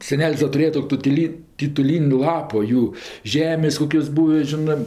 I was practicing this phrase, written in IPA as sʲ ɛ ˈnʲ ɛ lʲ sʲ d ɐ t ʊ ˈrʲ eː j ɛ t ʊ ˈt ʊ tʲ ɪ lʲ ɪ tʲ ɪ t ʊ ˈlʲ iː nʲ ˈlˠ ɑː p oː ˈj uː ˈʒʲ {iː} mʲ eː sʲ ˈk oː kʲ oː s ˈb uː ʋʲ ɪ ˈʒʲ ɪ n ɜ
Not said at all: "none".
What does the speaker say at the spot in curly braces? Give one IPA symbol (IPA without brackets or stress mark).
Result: æː